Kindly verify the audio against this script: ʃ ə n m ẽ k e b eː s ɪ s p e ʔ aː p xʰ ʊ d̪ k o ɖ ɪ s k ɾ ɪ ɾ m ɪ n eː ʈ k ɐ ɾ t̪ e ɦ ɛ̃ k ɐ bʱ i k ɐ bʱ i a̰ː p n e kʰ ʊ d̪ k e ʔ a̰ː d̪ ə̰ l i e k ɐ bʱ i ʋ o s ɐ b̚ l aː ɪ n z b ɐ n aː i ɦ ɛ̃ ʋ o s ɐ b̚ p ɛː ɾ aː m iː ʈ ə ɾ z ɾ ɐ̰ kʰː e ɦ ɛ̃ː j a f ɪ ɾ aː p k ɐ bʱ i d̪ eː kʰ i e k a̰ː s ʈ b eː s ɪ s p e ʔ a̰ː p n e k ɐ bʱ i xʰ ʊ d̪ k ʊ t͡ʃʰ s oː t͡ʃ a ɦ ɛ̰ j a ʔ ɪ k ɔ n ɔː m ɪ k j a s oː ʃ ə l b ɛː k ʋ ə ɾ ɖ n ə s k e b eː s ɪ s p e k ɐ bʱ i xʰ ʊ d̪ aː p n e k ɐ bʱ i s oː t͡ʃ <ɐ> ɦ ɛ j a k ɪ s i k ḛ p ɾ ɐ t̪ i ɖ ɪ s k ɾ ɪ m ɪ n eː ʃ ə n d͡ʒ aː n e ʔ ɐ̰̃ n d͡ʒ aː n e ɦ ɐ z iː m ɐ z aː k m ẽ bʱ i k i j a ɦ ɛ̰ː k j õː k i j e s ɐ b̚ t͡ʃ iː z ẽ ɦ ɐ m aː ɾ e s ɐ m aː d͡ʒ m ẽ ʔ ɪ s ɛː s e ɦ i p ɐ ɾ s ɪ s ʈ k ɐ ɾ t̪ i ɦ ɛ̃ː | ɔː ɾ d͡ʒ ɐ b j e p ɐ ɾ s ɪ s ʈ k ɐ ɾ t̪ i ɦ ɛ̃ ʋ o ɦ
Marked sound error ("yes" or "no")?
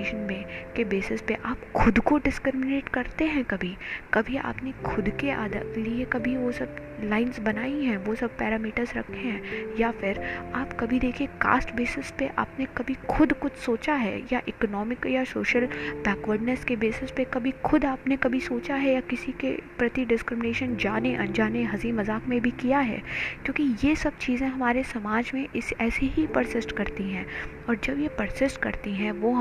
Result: yes